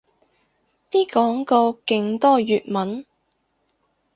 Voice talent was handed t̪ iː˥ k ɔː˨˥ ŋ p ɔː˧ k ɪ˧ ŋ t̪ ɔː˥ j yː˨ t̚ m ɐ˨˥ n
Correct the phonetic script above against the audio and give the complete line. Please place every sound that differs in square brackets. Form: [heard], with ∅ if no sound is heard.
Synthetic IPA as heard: t̪ iː˥ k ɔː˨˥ ŋ [k] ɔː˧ k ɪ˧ ŋ t̪ ɔː˥ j yː˨ t̚ m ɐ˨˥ n